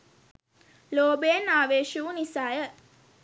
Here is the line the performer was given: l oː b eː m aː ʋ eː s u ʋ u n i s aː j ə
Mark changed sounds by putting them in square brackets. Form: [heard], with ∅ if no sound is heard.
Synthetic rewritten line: l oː b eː [n] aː ʋ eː [ʃ] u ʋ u n i s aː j ə